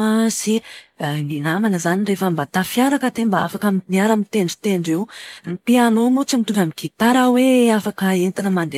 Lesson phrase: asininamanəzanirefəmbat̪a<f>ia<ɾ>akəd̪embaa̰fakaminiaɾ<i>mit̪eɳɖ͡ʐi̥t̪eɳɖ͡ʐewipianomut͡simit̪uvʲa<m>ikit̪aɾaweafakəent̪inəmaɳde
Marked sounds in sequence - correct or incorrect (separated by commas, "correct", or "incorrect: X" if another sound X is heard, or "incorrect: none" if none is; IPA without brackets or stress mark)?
correct, correct, incorrect: a, correct